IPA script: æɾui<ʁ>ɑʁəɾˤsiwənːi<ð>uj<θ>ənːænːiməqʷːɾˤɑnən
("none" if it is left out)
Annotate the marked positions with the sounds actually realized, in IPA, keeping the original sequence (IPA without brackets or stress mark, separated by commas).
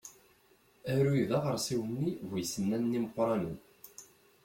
ð, v, s